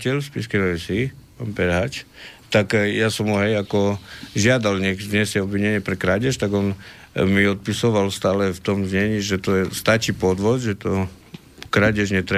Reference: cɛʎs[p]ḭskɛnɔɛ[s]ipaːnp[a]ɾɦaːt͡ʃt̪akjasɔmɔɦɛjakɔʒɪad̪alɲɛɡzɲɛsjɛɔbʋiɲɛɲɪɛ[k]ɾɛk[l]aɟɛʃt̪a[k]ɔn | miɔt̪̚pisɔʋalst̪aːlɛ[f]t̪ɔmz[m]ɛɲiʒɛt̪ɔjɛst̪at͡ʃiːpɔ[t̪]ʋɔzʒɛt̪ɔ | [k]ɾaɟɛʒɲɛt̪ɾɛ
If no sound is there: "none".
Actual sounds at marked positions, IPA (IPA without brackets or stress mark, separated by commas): p, s, ɛ, p, ɾ, ɡ, f, ɲ, d̪, k